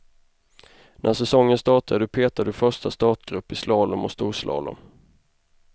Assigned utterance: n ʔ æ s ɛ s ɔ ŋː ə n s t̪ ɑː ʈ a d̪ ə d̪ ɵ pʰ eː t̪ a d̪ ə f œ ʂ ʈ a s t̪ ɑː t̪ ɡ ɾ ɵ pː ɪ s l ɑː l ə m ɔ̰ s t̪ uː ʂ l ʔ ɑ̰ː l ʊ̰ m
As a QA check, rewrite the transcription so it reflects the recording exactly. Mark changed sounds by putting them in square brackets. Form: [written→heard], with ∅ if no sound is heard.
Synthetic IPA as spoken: n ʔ æ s ɛ s ɔ ŋː ə n s t̪ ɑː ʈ a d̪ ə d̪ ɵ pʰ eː t̪ a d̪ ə f œ ʂ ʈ a s t̪ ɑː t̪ ɡ ɾ ɵ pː ɪ s l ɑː l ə m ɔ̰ s t̪ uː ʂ l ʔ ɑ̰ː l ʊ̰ m